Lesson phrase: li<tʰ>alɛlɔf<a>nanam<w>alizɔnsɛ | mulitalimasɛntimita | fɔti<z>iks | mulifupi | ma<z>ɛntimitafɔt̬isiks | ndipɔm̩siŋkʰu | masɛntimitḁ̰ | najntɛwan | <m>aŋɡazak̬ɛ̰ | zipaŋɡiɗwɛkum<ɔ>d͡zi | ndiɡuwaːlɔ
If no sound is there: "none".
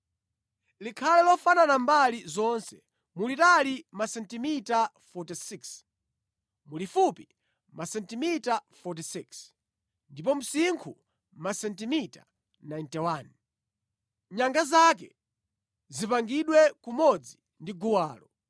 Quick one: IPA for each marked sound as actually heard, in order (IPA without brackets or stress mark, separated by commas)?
kʰ, a, b, s, s, ɲ, ɔ